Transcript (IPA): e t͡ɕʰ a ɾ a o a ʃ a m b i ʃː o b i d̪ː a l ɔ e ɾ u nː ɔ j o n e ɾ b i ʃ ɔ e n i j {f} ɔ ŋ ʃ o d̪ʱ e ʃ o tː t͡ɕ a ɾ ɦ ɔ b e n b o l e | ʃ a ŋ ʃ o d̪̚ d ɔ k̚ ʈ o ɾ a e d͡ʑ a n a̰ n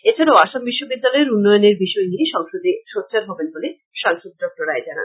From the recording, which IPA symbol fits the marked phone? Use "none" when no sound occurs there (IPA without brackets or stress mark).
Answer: ʃ